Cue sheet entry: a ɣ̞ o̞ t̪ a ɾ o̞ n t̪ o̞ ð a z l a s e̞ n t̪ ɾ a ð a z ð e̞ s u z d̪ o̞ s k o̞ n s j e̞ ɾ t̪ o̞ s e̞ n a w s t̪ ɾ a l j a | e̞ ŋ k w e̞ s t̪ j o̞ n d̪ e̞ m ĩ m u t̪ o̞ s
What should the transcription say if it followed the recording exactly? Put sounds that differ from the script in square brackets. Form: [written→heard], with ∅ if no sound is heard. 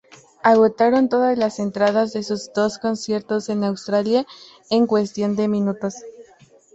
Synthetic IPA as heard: a ɣ̞ o̞ t̪ a ɾ o̞ n t̪ o̞ ð a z l a s e̞ n t̪ ɾ a ð a z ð e̞ s u z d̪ o̞ s k o̞ n s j e̞ ɾ t̪ o̞ s e̞ n a w s t̪ ɾ a l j a | e̞ ŋ k w e̞ s t̪ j o̞ n d̪ e̞ m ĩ [m→n] u t̪ o̞ s